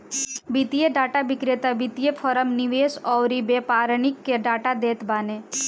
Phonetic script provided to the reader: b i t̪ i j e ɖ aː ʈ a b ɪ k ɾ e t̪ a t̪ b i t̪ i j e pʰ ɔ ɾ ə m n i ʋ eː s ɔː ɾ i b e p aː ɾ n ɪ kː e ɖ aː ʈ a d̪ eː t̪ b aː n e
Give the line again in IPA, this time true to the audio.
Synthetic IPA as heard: b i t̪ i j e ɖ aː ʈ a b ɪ k ɾ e t̪ a b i t̪ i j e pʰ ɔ ɾ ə m n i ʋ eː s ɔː ɾ i b e p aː ɾ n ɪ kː e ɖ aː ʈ a d̪ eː t̪ b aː n e